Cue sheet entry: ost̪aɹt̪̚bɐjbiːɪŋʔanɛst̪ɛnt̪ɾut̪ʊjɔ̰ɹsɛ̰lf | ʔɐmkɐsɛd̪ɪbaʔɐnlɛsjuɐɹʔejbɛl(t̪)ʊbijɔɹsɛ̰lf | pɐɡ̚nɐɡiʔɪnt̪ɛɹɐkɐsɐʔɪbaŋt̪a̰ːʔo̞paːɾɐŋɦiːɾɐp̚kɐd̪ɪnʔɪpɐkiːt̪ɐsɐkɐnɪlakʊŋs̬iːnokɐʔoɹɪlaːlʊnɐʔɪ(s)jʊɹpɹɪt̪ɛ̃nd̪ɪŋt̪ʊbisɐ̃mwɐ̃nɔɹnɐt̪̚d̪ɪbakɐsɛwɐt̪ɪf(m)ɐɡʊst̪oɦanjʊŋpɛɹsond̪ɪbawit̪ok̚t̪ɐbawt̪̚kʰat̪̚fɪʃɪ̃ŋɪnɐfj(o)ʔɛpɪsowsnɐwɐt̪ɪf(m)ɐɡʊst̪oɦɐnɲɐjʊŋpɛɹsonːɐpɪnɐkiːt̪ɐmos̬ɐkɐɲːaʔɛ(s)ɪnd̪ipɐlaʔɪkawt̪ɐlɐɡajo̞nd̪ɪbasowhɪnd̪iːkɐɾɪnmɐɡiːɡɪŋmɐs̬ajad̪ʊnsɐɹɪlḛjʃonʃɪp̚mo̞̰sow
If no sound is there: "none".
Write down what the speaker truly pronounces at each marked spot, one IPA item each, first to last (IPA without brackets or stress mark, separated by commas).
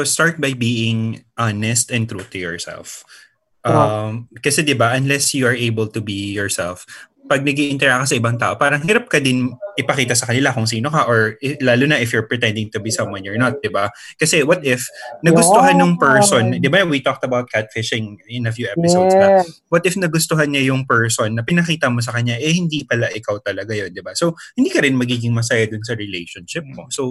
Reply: t̪, f, n, u, n, h